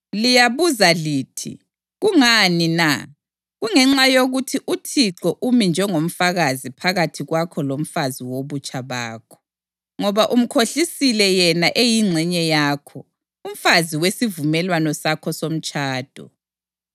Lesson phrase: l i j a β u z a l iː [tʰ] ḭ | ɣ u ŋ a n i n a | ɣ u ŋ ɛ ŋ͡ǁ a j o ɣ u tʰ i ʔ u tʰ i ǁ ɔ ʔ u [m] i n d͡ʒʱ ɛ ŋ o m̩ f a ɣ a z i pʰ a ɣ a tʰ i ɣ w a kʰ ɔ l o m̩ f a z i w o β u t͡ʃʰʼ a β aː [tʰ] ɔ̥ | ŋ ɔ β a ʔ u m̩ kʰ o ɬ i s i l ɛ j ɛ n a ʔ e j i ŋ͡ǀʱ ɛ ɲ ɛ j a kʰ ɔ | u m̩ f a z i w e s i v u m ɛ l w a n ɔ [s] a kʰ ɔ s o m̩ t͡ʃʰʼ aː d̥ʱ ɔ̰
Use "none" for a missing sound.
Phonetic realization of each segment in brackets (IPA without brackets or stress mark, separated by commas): tʰ, m, kʰ, s